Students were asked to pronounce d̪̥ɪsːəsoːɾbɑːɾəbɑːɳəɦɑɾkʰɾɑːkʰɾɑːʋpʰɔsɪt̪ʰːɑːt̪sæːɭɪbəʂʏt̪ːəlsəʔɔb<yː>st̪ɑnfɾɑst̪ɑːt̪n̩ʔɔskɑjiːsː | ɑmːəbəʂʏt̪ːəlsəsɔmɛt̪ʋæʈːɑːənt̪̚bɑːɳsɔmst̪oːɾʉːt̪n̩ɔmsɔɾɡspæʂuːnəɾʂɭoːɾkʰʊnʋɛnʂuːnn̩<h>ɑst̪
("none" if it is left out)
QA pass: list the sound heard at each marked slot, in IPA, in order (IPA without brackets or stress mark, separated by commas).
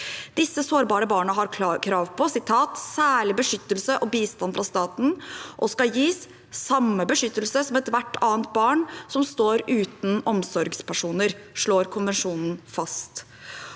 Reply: iː, f